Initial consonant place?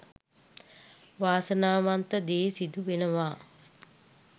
labial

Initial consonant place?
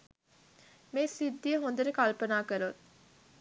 labial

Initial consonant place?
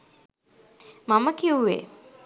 labial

